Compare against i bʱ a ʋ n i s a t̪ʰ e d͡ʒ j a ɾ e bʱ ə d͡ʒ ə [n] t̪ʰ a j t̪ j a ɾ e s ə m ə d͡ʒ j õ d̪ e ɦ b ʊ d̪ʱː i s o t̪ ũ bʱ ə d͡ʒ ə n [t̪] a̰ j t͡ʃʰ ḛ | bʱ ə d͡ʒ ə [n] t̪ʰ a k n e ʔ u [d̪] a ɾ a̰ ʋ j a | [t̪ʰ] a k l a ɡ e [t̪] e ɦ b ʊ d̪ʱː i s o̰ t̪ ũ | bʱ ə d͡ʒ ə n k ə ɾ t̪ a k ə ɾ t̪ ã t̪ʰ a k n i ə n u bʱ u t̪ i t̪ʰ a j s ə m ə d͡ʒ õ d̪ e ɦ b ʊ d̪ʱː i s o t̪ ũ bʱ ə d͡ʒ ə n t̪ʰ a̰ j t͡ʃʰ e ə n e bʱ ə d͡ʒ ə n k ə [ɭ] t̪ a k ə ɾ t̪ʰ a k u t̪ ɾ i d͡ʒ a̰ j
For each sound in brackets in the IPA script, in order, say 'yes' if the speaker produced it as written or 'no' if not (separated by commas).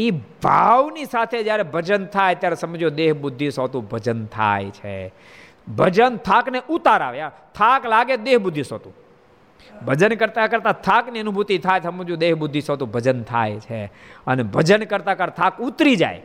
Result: yes, no, yes, no, yes, no, no